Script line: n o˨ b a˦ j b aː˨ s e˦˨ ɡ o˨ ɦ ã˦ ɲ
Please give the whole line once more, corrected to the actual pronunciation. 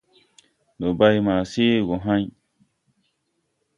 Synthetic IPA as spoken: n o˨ b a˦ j m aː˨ s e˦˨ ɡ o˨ ɦ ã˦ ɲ